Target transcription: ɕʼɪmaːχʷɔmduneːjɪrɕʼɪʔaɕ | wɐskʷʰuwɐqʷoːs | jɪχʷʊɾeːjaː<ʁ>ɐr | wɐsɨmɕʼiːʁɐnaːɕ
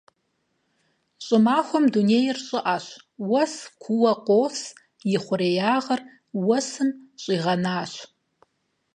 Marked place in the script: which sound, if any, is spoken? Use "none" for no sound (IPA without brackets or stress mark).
ʁ